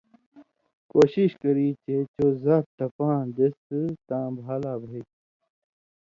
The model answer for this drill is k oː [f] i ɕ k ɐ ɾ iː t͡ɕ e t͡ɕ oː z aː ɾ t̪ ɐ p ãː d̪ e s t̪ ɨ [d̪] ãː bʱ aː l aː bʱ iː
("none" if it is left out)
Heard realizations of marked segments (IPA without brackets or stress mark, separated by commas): ɕ, t̪